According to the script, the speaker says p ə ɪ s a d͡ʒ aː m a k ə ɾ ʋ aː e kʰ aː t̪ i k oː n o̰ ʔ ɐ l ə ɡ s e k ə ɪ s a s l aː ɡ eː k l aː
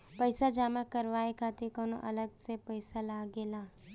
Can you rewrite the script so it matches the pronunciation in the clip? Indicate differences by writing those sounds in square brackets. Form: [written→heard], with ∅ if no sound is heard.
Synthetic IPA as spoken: p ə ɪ s a d͡ʒ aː m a k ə ɾ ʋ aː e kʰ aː t̪ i k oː n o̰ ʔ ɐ l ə ɡ s e [k→p] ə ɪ s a [s→∅] l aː ɡ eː [k→∅] l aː